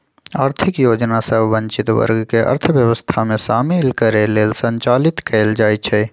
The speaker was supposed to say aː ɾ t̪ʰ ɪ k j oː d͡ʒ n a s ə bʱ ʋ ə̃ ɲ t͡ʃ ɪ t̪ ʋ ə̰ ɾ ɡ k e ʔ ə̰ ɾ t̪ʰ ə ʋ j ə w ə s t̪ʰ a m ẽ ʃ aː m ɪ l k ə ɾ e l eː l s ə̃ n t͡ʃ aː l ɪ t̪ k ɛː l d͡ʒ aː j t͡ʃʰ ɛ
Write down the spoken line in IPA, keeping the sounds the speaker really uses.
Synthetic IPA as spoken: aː ɾ t̪ʰ ɪ k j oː d͡ʒ n a s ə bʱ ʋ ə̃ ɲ t͡ʃ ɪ t̪ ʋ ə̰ ɾ ɡ k e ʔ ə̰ ɾ t̪ʰ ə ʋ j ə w ə s t̪ʰ a m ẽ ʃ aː m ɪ l k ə ɾ e l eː l s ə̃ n t͡ʃ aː l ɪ t̪ k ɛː l d͡ʒ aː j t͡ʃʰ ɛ

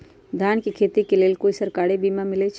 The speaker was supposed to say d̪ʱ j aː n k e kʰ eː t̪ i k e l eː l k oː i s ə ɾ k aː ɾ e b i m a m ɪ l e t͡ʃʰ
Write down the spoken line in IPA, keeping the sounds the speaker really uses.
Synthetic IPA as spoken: d̪ʱ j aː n k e kʰ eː t̪ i k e l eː l k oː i s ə ɾ k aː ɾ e b i m a m ɪ l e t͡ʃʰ

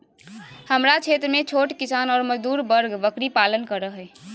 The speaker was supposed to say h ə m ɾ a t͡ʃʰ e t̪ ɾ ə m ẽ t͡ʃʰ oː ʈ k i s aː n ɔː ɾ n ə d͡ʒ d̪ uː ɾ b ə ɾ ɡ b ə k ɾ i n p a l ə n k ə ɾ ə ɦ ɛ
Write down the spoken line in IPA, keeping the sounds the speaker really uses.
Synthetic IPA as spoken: h ə m ɾ a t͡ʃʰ e t̪ ɾ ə m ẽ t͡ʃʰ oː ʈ k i s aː n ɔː ɾ m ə d͡ʒ d̪ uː ɾ b ə ɾ ɡ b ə k ɾ i p a l ə n k ə ɾ ə ɦ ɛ

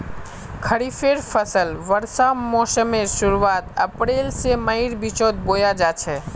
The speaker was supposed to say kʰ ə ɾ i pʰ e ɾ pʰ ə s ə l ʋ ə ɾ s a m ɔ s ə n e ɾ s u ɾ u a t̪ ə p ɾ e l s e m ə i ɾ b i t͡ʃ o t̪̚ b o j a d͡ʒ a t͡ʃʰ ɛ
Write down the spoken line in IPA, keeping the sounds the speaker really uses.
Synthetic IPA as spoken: kʰ ə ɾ i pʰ e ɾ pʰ ə s ə l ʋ ə ɾ s a m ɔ s ə m e ɾ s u ɾ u a t̪ ə p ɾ e l s e m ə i ɾ b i t͡ʃ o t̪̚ b o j a d͡ʒ a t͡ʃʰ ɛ

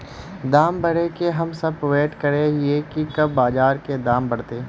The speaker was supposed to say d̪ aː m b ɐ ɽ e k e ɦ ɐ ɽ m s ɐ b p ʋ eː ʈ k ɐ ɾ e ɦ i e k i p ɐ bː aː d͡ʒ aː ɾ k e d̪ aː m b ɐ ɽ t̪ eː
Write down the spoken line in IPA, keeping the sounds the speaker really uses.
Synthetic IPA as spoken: d̪ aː m b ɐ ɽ e k e ɦ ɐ m s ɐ b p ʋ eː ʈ k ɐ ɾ e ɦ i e k i k ɐ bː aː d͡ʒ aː ɾ k e d̪ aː m b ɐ ɽ t̪ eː

